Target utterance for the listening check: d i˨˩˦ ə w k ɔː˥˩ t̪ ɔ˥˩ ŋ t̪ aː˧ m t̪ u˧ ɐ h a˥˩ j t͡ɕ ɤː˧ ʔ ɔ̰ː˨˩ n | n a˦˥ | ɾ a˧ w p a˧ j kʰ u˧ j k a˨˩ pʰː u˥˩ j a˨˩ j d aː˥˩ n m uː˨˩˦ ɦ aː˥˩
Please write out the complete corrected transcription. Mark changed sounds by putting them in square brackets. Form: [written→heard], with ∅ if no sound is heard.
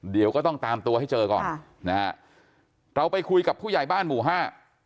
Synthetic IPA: d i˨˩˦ ə w k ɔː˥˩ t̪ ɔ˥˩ ŋ t̪ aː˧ m t̪ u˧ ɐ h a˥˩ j t͡ɕ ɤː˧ [ʔ→k] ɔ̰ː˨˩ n | n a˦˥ | ɾ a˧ w p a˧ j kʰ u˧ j k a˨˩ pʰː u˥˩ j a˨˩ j [d→b] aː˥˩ n m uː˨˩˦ ɦ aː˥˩